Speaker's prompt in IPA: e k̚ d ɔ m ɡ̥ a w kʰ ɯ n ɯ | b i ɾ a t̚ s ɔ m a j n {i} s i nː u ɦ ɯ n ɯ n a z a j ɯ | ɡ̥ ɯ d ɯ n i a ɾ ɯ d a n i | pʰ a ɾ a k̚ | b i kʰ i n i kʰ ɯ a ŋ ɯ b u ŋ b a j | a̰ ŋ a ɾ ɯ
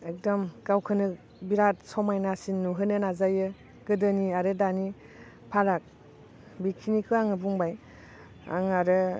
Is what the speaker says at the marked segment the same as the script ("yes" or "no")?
no